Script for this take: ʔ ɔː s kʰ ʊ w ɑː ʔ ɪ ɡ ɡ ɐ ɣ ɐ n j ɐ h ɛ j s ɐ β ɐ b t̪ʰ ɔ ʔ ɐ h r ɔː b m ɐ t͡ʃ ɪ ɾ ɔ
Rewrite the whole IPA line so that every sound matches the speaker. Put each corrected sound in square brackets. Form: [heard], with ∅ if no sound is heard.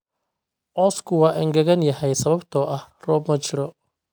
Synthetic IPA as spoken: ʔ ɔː s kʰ ʊ w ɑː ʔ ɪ [ŋ] ɡ ɐ ɣ ɐ n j ɐ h ɛ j s ɐ β ɐ b t̪ʰ ɔ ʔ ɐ h r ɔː b m ɐ t͡ʃ ɪ ɾ ɔ

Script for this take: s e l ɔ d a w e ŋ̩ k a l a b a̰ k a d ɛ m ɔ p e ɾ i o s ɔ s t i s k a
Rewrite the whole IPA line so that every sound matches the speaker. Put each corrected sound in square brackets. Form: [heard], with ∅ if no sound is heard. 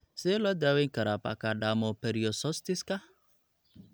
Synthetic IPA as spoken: s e l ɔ d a w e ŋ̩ k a [ɾ] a [p] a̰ k a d [a] m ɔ p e ɾ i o s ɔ s t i s k a

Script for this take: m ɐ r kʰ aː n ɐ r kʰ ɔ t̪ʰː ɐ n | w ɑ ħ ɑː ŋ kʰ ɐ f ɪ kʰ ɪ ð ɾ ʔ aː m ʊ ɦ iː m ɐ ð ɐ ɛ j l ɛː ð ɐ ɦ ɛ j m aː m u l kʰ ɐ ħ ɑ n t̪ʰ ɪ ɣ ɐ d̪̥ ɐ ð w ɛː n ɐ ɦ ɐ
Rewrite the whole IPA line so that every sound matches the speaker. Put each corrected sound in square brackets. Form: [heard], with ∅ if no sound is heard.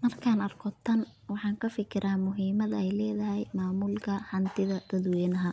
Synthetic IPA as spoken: m ɐ r kʰ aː n ɐ r kʰ ɔ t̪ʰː ɐ n | w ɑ ħ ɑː ŋ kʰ ɐ f ɪ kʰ ɪ [∅] ɾ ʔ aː m ʊ ɦ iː m ɐ ð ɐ ɛ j l ɛː ð ɐ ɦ ɛ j m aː m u l kʰ ɐ ħ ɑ n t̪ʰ ɪ [ð] ɐ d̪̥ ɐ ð w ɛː n ɐ ɦ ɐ

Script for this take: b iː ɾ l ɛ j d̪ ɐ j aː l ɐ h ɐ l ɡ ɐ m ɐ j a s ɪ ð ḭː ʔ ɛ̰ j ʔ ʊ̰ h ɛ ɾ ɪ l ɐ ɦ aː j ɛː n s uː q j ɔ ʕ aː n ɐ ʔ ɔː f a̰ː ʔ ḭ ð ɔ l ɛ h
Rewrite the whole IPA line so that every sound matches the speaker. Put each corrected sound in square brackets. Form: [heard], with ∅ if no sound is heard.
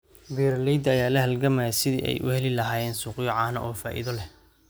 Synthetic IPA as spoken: b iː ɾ l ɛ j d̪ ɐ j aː l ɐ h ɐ l ɡ ɐ m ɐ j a s ɪ ð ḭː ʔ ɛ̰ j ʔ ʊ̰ h ɛ [l] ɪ l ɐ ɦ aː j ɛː n s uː q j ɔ ʕ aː n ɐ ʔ ɔː f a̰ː ʔ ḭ ð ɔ l ɛ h

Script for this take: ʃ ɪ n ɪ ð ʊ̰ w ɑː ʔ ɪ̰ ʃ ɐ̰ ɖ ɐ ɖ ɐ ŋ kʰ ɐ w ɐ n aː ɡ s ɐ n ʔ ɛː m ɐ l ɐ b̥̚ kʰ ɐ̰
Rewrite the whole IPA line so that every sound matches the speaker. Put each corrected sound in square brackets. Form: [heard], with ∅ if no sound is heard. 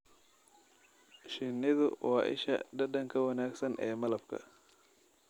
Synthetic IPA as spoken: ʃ ɪ n ɪ ð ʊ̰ w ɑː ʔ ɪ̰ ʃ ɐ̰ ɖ ɐ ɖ ɐ ŋ kʰ ɐ w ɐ n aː ɡ s ɐ n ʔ ɛː m ɐ l ɐ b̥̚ kʰ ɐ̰

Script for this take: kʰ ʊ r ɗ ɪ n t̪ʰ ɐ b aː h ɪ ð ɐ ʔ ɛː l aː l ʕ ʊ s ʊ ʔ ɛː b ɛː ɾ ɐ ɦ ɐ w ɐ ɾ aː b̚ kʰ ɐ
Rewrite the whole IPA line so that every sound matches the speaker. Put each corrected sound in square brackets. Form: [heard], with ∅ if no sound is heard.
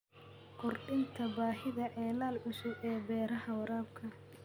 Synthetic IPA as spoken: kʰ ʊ r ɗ ɪ n t̪ʰ ɐ b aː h ɪ ð ɐ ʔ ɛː l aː l ʕ ʊ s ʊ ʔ ɛː b ɛː ɾ ɐ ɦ ɐ w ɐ ɾ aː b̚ kʰ ɐ

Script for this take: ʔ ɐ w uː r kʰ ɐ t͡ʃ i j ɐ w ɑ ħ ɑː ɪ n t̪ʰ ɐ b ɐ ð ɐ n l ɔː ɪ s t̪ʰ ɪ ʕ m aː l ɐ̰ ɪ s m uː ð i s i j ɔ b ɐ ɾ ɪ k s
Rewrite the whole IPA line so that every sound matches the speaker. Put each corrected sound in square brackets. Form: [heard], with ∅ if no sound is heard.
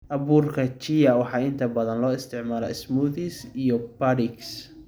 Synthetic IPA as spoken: ʔ ɐ [β] uː r kʰ ɐ t͡ʃ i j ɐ w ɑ ħ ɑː ɪ n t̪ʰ ɐ b ɐ ð ɐ n l ɔː ɪ s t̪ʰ ɪ ʕ m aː l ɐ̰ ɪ s m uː ð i s i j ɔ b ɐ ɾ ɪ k s

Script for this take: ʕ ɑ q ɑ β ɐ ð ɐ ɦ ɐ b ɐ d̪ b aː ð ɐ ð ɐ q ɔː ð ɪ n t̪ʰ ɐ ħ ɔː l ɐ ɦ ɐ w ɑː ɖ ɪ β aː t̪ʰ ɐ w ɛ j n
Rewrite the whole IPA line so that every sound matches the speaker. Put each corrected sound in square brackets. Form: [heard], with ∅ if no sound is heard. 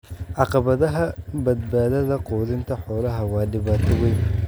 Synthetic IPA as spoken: ʕ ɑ q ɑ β ɐ ð ɐ ɦ ɐ b ɐ d̪ b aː ð ɐ ð ɐ q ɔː ð ɪ n t̪ʰ ɐ ħ ɔː l ɐ ɦ ɐ w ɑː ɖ ɪ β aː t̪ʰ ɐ w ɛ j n

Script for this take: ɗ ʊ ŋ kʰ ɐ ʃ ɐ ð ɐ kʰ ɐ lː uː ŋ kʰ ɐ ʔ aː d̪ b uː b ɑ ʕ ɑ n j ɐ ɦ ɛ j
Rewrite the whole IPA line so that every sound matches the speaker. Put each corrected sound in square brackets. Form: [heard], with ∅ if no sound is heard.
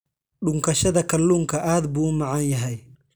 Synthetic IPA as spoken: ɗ ʊ ŋ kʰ ɐ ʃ ɐ ð ɐ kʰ ɐ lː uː ŋ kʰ ɐ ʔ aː d̪ b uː [m] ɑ ʕ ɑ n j ɐ ɦ ɛ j

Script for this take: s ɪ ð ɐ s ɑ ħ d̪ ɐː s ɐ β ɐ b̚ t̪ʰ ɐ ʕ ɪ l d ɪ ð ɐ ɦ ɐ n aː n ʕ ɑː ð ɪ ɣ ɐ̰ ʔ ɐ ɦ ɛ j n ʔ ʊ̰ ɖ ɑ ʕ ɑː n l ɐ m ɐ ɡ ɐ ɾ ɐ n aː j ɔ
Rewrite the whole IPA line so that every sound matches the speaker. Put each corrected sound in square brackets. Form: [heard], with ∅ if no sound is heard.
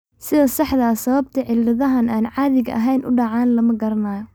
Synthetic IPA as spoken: s ɪ ð ɐ s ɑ ħ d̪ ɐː s ɐ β ɐ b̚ t̪ʰ ɐ ʕ ɪ l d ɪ ð ɐ ɦ ɐ n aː n ʕ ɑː ð ɪ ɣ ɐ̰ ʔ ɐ ɦ ɛ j n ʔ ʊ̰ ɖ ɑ ʕ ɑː n l ɐ m ɐ ɡ ɐ ɾ ɐ n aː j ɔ

